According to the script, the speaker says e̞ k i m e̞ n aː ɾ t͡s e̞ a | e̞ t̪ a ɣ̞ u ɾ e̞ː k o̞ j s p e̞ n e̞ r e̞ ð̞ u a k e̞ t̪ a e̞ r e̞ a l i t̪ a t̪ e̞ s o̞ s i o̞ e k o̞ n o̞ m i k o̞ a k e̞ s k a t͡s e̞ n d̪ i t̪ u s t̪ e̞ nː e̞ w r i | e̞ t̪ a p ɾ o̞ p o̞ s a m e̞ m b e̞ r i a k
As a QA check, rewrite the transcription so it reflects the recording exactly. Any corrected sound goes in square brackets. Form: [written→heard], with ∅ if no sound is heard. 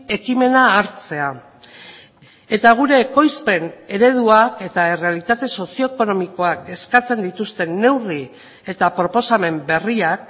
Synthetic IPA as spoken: e̞ k i m e̞ n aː ɾ t͡s e̞ a | e̞ t̪ a ɣ̞ u ɾ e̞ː k o̞ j s p e̞ n e̞ [r→ɾ] e̞ ð̞ u a k e̞ t̪ a e̞ r e̞ a l i t̪ a t̪ e̞ s o̞ s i o̞ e k o̞ n o̞ m i k o̞ a k e̞ s k a t͡s e̞ n d̪ i t̪ u s t̪ e̞ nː e̞ w r i | e̞ t̪ a p ɾ o̞ p o̞ s a m e̞ m b e̞ r i a k